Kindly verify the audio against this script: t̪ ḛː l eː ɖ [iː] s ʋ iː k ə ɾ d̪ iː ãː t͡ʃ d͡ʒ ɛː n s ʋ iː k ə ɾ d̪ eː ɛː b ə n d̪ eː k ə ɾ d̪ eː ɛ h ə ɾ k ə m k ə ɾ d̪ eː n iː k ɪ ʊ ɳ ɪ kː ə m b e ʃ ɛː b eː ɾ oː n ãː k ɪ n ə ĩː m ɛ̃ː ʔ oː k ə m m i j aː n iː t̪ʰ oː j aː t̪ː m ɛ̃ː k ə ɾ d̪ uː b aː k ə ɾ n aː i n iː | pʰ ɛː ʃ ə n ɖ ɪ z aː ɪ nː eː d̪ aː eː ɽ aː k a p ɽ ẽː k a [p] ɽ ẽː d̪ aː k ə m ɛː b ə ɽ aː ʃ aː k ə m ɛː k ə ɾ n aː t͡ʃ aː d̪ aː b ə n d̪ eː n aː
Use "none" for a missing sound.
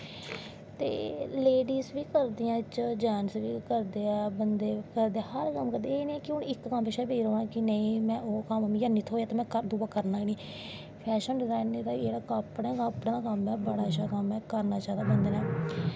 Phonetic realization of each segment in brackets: iː, p

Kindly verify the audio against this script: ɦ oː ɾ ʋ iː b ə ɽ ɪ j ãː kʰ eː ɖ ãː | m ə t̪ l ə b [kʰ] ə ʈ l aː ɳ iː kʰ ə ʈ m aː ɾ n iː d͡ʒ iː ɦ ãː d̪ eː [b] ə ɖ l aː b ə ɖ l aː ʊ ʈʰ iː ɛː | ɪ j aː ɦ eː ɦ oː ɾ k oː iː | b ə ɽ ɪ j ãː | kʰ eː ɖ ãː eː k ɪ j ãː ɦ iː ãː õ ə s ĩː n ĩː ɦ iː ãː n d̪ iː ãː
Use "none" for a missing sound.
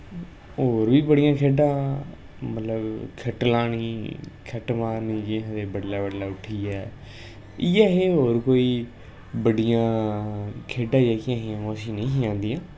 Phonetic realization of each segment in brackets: kʰ, b

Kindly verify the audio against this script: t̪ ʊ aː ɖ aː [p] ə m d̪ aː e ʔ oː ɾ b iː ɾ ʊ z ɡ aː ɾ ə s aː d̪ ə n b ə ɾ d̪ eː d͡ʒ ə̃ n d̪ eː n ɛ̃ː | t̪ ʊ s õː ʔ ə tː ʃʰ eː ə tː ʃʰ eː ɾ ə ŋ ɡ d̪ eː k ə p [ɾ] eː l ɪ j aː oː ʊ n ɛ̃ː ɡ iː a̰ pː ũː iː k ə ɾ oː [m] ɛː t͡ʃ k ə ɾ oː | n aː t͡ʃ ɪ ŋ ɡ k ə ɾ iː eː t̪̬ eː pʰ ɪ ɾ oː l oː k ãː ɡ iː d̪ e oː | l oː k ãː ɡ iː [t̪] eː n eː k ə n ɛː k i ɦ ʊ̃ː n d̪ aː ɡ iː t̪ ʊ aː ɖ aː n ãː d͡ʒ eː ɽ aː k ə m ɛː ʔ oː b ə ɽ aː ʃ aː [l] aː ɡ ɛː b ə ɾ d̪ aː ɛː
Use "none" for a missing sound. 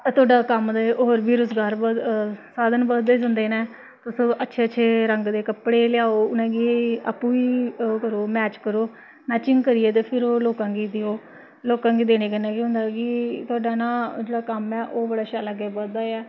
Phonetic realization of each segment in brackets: k, ɽ, m, d̪, l

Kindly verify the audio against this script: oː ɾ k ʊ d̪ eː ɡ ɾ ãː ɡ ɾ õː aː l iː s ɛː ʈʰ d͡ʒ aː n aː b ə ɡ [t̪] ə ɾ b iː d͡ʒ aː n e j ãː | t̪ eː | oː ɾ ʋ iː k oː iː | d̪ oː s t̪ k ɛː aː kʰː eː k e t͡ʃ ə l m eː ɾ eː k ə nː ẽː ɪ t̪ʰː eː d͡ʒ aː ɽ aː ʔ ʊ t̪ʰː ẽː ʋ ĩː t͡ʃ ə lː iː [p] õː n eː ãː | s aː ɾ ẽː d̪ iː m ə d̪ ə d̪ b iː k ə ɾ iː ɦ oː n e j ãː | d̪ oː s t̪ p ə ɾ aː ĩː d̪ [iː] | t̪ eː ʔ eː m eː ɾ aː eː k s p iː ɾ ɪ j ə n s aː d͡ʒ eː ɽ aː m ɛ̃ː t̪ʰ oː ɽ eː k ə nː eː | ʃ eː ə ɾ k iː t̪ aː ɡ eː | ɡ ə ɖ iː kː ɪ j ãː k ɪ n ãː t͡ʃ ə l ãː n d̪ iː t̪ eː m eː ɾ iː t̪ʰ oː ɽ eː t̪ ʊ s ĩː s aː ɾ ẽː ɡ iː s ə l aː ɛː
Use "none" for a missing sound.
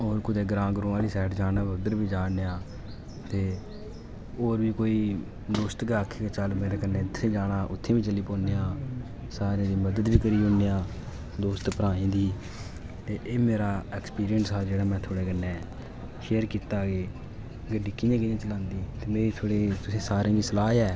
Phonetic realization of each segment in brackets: d̪, p, iː

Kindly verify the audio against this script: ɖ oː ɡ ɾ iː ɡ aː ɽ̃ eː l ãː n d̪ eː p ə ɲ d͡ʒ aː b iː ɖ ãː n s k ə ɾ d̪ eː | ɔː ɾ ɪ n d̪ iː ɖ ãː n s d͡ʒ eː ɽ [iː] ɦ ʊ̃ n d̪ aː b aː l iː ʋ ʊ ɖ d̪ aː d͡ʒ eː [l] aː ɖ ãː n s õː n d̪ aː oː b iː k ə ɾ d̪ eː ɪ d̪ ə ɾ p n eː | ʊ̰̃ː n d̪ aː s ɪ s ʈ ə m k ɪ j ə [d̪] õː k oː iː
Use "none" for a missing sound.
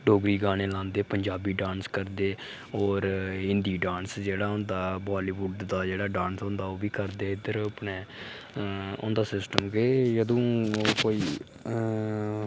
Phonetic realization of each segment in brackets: aː, ɽ, d̪

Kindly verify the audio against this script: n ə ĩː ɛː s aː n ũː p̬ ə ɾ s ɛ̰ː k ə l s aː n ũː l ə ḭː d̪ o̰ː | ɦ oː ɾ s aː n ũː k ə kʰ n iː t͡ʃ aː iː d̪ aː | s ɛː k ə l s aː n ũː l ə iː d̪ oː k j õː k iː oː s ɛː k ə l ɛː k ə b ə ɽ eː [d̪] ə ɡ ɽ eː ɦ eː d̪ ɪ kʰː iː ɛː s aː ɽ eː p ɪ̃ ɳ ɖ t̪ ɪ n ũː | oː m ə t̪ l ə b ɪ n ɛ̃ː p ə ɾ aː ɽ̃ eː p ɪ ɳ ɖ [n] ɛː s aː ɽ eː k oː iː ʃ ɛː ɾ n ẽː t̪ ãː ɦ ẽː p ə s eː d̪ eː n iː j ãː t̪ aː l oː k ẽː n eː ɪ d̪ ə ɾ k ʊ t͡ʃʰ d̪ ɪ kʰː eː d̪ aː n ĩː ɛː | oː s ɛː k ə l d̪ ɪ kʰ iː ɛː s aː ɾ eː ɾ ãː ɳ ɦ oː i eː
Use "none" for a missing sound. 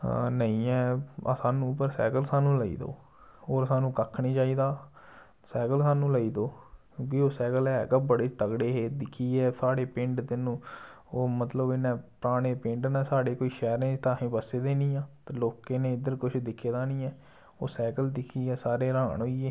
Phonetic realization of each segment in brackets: t̪, n

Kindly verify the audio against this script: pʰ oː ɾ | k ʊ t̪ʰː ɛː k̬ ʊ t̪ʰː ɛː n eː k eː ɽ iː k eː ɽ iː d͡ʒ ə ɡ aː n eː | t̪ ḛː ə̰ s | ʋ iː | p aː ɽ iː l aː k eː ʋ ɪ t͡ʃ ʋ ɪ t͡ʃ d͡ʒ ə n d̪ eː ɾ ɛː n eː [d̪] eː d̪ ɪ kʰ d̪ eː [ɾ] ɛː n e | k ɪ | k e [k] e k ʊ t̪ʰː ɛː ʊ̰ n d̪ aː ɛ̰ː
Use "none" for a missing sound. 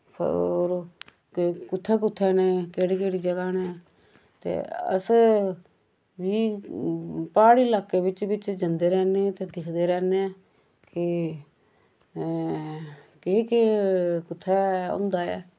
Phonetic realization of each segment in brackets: t̪, ɾ, k

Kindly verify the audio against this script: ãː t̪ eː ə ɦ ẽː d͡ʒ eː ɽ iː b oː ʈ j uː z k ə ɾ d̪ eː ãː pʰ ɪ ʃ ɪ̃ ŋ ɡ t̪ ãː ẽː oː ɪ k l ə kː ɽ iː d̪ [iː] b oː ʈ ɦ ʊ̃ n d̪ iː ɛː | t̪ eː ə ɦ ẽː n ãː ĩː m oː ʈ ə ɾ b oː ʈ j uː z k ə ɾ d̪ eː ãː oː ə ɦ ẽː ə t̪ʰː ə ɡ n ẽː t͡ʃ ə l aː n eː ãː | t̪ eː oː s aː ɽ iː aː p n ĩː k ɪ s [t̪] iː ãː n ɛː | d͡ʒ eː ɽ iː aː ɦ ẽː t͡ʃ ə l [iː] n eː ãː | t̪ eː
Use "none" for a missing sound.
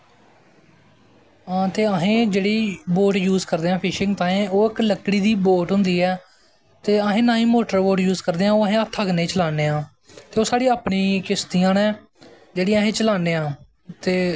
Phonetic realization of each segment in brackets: iː, t̪, aː

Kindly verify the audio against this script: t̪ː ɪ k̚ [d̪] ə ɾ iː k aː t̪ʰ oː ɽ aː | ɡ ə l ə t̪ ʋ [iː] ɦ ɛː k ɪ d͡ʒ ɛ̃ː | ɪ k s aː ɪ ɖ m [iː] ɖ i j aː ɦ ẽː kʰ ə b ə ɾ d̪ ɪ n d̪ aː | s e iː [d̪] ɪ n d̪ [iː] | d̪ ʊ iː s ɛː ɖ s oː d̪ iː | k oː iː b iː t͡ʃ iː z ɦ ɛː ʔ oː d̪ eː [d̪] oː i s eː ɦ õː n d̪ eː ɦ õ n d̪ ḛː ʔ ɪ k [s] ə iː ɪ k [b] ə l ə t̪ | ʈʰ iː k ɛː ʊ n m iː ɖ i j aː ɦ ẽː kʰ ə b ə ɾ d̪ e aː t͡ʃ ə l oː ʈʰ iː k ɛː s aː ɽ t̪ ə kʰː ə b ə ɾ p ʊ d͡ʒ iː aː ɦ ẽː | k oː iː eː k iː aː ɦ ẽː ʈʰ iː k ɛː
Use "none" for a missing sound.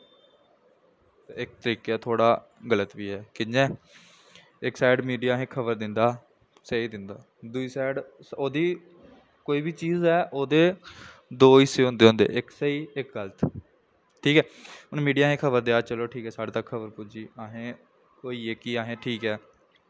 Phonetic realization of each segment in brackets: t̪, iː, iː, d̪, aː, d̪, s, ɡ

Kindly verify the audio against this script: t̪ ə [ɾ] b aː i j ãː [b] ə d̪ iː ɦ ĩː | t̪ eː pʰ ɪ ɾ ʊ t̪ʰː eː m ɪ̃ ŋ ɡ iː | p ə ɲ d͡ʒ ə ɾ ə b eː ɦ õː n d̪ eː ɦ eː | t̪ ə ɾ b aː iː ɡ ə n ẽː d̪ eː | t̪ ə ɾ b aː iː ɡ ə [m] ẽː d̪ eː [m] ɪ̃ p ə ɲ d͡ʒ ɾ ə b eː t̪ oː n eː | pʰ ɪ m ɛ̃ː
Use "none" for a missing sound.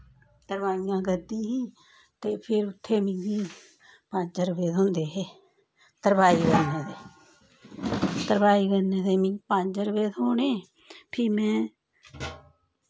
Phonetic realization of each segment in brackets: ɾ, ɡ, n, m

